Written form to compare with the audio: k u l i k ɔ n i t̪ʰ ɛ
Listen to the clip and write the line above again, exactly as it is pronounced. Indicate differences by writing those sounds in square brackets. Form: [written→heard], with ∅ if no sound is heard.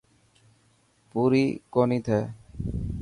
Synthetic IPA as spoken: [k→p] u [l→ɾ] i k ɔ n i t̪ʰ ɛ